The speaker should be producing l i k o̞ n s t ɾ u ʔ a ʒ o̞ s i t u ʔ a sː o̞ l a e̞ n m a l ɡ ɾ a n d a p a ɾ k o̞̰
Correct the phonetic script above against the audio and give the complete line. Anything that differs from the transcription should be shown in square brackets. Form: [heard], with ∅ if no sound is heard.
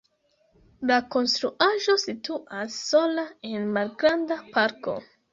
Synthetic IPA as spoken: l [a] k o̞ n s t ɾ u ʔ a ʒ o̞ s i t u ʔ a sː o̞ l a e̞ n m a l ɡ ɾ a n d a p a ɾ k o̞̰